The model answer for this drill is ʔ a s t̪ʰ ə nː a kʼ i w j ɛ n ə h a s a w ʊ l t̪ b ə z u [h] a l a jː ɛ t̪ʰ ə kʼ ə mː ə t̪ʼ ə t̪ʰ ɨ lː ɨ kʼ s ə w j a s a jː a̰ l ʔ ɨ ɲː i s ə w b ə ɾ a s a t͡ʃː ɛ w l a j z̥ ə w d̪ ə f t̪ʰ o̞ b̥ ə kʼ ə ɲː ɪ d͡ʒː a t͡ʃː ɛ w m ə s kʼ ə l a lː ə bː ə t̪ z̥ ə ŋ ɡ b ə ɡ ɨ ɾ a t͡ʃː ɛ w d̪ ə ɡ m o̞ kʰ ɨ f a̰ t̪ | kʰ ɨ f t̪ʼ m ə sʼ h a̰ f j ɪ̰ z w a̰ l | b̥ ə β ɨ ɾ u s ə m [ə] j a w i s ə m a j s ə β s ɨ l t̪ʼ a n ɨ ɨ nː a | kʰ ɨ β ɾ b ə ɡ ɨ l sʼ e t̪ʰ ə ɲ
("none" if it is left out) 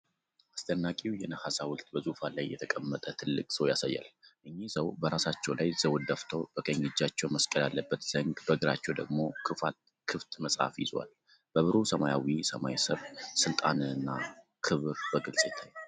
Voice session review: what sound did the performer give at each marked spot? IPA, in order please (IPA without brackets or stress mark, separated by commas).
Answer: f, a